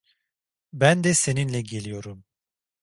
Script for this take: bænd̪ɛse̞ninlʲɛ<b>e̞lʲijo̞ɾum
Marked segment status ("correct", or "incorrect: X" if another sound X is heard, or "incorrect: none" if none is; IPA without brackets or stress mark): incorrect: ɟ